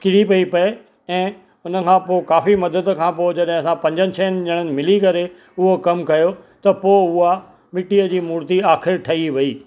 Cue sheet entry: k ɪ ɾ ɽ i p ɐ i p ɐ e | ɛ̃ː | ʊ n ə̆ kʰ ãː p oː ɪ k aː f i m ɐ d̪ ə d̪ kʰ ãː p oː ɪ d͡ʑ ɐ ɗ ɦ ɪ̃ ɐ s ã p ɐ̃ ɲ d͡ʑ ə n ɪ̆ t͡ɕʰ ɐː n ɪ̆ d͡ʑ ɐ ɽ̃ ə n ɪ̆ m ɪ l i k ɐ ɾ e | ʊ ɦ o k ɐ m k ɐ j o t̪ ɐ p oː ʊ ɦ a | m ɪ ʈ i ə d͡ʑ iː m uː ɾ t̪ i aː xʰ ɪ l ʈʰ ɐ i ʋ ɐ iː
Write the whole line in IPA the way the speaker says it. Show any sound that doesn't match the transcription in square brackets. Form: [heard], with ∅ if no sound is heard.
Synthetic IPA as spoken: k ɪ [∅] ɽ i p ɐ i p ɐ e | ɛ̃ː | ʊ n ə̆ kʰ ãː p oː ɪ k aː f i m ɐ d̪ ə d̪ kʰ ãː p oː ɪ d͡ʑ ɐ ɗ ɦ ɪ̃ ɐ s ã p ɐ̃ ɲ d͡ʑ ə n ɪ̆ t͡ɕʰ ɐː n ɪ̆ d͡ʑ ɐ ɽ̃ ə n ɪ̆ m ɪ l i k ɐ ɾ e | ʊ ɦ o k ɐ m k ɐ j o t̪ ɐ p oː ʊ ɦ a | m ɪ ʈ i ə d͡ʑ iː m uː ɾ t̪ i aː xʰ ɪ [ɾ] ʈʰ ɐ i ʋ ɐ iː